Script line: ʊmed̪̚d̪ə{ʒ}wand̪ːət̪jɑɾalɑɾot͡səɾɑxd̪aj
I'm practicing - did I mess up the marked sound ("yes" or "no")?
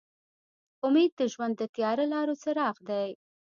no